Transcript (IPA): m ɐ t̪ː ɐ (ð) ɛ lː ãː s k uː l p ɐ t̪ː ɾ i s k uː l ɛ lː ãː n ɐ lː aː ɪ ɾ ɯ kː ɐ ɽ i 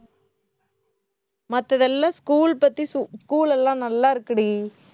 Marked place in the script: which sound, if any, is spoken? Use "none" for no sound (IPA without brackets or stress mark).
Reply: ð